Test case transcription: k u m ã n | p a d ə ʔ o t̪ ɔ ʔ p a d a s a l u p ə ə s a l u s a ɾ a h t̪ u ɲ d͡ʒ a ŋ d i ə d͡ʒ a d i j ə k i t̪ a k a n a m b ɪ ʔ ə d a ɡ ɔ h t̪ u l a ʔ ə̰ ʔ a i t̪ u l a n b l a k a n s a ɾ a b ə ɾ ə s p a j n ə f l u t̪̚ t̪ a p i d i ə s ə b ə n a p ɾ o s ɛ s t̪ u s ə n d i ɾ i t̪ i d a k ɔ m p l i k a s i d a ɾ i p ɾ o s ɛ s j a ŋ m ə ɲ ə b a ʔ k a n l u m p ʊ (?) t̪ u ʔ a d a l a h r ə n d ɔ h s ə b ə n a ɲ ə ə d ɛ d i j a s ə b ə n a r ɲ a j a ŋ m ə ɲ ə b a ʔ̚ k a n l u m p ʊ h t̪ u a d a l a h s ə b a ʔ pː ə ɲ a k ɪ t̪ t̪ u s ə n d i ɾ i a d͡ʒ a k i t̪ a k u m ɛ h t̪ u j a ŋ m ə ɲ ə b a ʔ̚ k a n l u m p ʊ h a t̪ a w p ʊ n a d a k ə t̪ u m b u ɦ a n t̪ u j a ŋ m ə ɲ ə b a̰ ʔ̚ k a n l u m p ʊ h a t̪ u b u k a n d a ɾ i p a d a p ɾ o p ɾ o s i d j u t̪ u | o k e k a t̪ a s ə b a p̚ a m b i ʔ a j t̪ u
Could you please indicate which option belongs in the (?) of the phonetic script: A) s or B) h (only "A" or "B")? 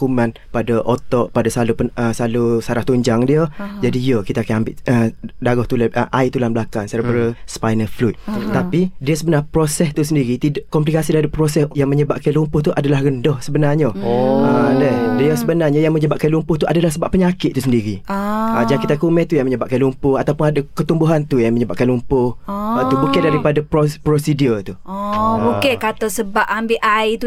B